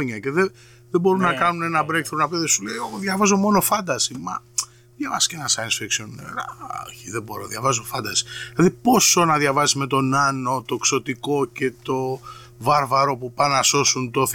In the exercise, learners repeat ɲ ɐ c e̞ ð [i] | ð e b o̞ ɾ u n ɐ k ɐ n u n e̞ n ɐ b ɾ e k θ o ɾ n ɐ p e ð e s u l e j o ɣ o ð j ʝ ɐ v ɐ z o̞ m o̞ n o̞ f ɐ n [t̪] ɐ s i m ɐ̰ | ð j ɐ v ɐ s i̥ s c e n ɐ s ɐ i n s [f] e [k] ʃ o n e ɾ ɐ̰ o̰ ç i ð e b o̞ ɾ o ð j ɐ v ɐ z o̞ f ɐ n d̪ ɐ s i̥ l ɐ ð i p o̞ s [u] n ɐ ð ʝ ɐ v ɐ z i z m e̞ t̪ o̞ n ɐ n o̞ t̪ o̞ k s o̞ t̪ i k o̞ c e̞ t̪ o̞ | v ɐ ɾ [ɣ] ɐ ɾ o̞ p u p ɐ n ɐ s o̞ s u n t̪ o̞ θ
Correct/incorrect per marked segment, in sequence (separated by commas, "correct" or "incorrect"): incorrect, incorrect, correct, correct, incorrect, incorrect